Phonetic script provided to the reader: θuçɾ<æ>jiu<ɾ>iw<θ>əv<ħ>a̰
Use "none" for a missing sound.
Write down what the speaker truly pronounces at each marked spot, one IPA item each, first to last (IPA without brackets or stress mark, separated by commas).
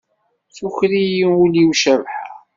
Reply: i, l, ʃ, ħ